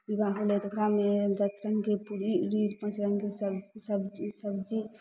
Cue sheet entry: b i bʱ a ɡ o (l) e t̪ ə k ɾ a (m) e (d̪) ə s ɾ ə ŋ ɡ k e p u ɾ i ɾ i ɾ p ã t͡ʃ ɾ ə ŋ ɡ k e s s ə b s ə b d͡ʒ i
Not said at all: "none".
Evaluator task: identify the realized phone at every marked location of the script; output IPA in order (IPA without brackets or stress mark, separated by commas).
l, m, d̪